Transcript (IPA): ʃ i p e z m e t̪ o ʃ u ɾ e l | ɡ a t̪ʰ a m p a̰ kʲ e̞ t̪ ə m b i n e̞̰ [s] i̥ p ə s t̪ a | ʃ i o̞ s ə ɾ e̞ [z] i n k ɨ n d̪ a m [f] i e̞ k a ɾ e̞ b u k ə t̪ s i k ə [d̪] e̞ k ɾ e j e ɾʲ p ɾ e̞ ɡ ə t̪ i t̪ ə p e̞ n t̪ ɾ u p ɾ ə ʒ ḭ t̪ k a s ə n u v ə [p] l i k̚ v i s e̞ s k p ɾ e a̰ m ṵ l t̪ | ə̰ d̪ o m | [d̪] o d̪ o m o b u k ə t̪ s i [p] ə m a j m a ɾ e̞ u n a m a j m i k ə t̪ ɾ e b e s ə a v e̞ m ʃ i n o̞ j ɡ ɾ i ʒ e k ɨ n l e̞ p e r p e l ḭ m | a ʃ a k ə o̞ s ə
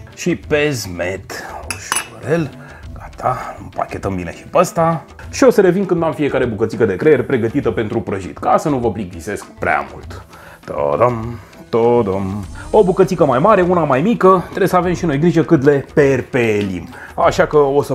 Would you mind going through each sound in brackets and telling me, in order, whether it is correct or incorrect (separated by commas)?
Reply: incorrect, incorrect, correct, correct, correct, incorrect, incorrect